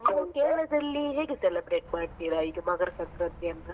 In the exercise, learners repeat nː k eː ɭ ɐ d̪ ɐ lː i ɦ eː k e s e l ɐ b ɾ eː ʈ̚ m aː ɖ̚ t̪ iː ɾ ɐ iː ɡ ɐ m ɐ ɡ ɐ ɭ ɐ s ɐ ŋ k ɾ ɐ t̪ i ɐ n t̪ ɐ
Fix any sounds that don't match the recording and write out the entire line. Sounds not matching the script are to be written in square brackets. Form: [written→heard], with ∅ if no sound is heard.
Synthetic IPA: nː k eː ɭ ɐ d̪ ɐ lː i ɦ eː [k→ɡ] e s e l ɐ b ɾ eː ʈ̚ m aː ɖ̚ t̪ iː ɾ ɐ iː ɡ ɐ m ɐ ɡ ɐ [ɭ→ɾ] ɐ s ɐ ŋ k ɾ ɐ t̪ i ɐ n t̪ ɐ